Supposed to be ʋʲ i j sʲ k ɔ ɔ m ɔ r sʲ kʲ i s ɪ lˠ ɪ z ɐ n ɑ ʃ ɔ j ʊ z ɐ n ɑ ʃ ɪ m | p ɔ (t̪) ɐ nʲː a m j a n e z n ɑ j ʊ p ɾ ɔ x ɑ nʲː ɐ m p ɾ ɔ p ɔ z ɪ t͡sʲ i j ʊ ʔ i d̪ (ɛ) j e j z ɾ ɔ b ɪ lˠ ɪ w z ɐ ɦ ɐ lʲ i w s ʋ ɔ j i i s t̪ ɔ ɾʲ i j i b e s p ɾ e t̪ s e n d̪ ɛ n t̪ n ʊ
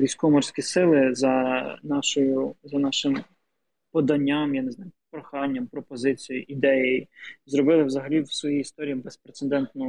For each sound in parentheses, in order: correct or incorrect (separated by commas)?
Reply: incorrect, correct